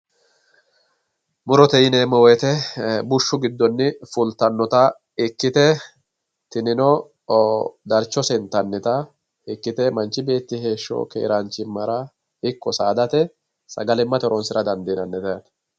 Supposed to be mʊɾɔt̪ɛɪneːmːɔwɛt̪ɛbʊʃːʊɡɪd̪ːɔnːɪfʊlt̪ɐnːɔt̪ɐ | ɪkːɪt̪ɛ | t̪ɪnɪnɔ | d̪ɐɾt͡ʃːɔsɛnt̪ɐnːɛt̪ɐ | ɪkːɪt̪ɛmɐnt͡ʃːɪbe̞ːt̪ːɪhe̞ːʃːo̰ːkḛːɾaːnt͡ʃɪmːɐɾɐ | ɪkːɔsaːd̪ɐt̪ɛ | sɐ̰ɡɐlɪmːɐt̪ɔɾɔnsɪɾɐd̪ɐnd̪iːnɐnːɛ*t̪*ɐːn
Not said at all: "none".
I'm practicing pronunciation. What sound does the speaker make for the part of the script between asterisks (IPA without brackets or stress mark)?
t̪